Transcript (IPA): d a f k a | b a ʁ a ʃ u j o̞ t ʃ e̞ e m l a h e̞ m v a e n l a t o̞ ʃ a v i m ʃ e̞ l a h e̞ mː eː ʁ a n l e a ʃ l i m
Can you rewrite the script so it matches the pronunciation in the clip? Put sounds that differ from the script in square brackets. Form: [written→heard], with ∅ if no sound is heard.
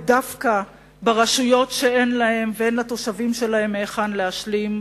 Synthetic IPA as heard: d a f k a | b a ʁ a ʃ u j o̞ t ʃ e̞ e [m→n] l a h e̞ m v [a→e] e n l a t o̞ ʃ a v i m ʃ e̞ l a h e̞ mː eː [ʁ→χ] a n l e a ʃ l i m